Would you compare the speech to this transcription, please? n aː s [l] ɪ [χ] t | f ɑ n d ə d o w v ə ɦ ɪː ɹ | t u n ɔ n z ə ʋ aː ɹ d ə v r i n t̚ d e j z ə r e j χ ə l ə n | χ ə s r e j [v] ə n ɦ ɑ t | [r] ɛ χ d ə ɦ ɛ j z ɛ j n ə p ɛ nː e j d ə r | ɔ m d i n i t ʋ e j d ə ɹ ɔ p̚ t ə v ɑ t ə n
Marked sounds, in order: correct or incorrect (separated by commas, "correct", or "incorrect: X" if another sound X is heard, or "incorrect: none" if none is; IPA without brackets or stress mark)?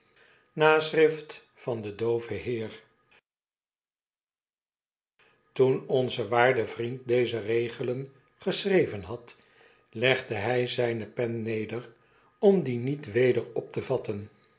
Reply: incorrect: r, incorrect: f, correct, incorrect: l